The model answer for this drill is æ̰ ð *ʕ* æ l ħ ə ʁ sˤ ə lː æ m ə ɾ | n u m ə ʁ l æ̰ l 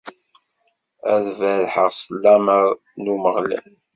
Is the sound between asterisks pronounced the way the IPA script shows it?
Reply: no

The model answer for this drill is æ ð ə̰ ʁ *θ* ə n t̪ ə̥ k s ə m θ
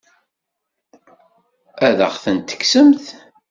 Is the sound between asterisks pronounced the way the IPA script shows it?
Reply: yes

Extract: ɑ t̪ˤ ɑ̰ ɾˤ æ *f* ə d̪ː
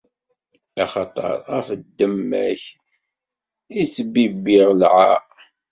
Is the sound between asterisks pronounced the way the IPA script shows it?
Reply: yes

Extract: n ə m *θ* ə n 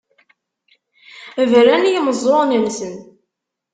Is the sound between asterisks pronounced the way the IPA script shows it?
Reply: no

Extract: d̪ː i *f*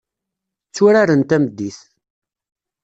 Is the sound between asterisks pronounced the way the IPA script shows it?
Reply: no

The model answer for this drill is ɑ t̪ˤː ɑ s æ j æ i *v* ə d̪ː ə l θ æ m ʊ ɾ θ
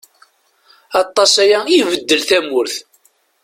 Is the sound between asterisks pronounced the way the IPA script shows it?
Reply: yes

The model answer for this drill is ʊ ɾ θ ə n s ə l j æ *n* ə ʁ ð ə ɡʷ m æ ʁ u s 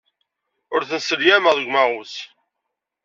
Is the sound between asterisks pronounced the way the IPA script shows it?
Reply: no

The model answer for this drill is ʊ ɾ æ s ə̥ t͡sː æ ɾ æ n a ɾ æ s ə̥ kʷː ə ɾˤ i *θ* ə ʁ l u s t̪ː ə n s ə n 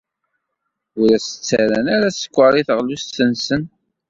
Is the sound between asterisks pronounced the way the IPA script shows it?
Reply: yes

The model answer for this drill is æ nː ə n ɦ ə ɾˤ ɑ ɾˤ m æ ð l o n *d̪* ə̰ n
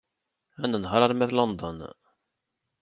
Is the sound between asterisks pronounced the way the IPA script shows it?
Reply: yes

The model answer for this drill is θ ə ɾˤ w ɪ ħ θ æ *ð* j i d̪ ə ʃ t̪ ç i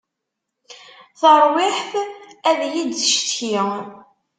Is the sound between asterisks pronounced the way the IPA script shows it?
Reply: yes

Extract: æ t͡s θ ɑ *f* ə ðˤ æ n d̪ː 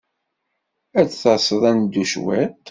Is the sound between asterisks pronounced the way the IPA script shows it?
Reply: no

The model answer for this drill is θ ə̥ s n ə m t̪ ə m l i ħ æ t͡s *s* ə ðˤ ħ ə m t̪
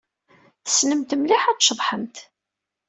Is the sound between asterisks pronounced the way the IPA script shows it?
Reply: no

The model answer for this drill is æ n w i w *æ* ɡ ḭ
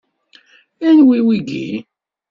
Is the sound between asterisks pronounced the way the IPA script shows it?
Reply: no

